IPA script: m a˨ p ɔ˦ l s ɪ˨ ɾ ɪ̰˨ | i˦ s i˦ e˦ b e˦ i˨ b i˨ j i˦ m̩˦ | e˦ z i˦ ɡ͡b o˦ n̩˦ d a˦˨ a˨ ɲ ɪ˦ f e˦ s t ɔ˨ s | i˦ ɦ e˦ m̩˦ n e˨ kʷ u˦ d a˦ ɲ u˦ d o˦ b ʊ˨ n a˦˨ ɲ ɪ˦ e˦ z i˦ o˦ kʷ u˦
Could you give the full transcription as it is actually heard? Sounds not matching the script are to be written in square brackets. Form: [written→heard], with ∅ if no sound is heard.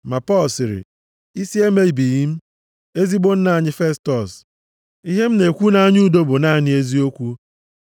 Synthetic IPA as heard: m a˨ p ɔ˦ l s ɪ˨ ɾ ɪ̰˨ | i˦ s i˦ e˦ [b→m] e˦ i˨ b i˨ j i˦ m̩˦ | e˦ z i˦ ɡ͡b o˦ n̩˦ [d→n] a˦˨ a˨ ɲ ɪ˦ f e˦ s t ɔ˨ s | i˦ ɦ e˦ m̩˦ n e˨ kʷ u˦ [d→n] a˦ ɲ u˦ d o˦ b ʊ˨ n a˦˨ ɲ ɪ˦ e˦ z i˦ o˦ kʷ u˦

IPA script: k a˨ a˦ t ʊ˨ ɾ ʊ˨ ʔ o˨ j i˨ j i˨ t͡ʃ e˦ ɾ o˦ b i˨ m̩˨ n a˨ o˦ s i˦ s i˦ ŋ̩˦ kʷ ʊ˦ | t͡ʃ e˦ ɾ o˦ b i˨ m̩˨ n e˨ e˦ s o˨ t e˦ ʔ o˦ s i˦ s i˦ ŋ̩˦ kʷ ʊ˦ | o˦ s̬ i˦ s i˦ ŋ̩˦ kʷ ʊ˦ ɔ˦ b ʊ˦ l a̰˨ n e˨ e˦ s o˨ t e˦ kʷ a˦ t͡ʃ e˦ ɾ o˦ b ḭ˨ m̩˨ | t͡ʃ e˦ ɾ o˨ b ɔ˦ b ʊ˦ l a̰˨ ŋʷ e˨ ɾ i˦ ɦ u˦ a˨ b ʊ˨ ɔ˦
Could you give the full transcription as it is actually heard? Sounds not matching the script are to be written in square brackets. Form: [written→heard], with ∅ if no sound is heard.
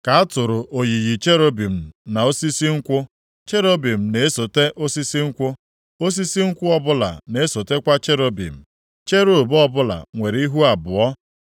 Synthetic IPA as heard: k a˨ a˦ t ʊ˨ ɾ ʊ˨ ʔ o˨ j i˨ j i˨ t͡ʃ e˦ ɾ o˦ b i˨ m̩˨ n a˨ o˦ s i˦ s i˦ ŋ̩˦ kʷ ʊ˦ | t͡ʃ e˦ ɾ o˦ b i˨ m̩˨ n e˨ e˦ s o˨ t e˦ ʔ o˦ s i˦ s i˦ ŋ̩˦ kʷ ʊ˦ | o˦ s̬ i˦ s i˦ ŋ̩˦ kʷ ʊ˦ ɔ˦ b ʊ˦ l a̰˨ n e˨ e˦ s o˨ t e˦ kʷ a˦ t͡ʃ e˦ ɾ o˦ b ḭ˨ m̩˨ | t͡ʃ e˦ ɾ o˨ b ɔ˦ b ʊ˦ l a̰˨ ŋʷ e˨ ɾ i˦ ɦ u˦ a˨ b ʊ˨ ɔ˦

